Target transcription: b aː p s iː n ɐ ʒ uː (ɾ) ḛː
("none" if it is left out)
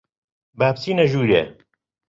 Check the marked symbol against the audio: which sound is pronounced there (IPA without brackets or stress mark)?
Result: ɾ